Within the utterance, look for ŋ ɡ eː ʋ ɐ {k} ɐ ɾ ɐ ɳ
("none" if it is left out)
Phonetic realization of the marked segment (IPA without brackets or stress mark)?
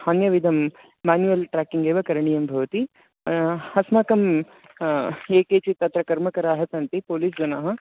k